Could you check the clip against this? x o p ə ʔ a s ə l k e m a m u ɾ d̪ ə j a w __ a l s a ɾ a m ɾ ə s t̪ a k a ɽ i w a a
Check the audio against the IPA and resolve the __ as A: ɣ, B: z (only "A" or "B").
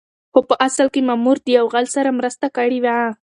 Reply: A